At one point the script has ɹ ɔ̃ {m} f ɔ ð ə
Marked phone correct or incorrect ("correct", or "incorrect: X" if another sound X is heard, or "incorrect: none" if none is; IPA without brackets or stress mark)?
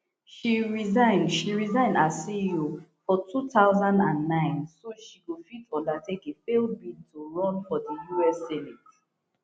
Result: incorrect: n